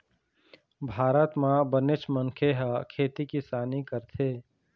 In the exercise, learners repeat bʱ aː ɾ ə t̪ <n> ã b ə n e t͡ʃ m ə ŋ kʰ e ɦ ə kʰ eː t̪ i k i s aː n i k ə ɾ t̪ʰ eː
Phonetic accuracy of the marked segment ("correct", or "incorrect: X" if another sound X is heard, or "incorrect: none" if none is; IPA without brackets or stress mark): incorrect: m